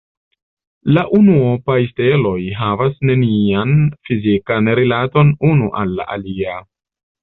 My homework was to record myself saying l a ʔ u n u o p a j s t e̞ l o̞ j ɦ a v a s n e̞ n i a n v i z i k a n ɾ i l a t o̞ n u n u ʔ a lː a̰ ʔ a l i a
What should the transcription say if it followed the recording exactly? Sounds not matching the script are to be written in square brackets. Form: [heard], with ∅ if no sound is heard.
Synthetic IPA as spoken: l a ʔ u n u o p a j s t e̞ l o̞ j ɦ a v a s n e̞ n i a n [f] i z i k a n ɾ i l a t o̞ n u n u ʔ a lː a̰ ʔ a l i a